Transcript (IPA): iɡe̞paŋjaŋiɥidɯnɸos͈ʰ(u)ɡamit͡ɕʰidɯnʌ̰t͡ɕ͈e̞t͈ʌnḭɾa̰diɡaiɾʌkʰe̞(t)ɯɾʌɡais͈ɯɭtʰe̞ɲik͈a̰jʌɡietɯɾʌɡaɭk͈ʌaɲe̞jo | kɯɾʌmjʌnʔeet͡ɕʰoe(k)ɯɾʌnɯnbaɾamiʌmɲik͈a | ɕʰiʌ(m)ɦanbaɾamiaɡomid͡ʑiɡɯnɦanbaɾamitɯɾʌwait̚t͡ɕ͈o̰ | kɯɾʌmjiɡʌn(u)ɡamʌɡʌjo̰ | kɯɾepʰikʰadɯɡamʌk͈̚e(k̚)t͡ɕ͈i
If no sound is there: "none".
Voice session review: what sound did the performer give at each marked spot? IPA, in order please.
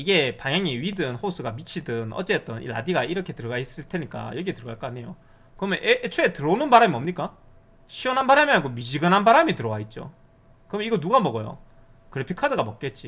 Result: ɯ, t, t, n, u, t̚

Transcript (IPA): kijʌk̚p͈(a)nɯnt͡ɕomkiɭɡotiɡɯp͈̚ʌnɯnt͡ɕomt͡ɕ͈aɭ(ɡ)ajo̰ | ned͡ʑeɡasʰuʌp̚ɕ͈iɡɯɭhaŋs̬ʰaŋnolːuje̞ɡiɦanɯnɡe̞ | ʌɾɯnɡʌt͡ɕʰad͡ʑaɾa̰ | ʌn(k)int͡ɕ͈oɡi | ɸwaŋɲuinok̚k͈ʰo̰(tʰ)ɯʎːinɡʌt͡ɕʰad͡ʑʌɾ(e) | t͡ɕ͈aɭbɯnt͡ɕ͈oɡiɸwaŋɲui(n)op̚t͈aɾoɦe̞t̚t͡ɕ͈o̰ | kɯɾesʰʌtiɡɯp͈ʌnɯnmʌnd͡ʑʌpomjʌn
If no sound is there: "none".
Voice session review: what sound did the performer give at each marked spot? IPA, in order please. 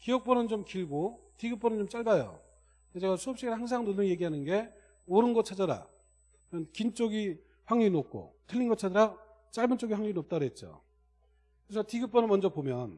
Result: ʌ, b, k, tʰ, a, n

